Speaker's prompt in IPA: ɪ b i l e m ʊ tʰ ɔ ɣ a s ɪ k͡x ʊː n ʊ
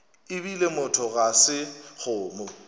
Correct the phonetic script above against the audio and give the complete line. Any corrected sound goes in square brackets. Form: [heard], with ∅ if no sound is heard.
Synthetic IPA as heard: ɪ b i l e m ʊ tʰ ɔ ɣ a s ɪ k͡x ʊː [m] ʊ